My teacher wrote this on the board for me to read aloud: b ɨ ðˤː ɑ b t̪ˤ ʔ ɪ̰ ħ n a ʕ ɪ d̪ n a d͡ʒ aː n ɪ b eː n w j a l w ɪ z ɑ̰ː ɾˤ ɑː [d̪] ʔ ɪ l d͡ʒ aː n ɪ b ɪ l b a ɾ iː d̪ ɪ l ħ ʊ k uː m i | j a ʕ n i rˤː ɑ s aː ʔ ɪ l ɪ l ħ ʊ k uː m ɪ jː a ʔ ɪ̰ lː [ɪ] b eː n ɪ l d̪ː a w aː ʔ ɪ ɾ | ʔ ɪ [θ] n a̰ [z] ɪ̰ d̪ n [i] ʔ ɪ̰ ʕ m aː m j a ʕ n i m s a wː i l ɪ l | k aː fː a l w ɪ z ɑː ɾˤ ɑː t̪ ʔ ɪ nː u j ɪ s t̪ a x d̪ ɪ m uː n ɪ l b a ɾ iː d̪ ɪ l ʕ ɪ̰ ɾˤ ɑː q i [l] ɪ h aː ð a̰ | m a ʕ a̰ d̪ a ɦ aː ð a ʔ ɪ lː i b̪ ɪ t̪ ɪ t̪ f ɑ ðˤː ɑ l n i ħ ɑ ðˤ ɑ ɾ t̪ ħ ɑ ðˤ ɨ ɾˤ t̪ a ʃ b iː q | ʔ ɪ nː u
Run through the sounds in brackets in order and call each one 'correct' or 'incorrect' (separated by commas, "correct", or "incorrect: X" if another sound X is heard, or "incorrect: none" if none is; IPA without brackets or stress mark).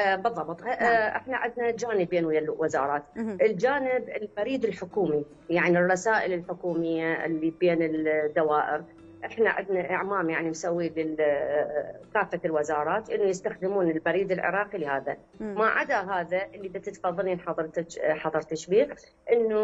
incorrect: t̪, incorrect: i, incorrect: ħ, incorrect: ʕ, incorrect: a, correct